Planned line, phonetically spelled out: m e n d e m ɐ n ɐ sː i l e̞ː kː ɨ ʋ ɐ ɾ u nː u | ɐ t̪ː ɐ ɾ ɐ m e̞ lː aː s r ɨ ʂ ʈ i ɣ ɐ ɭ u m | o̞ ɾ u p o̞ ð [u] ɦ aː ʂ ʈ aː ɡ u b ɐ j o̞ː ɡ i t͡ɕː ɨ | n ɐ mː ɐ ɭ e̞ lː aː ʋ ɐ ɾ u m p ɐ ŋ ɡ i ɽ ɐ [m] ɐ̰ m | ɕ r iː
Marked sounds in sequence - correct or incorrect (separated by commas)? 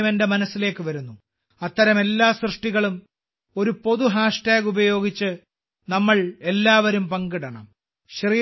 correct, incorrect